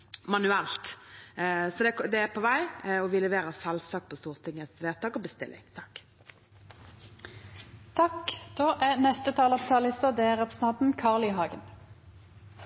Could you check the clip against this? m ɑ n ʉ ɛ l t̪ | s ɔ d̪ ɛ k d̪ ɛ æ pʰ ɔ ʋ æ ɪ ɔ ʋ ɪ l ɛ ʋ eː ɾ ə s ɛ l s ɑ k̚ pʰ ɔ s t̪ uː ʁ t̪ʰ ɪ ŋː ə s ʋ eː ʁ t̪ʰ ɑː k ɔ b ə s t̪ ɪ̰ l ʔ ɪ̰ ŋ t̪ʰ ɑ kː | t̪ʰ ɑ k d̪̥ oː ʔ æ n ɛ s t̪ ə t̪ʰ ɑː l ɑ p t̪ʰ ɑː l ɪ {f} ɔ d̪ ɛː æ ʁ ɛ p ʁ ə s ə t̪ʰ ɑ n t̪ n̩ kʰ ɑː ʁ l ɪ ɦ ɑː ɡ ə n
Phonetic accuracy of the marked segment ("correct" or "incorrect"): incorrect